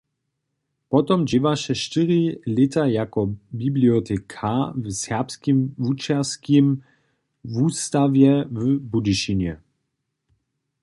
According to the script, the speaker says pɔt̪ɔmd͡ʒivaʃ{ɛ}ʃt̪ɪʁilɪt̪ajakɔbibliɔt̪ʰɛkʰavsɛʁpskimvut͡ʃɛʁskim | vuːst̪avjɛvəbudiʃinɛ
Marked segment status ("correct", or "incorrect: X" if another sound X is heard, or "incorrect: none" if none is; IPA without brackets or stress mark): correct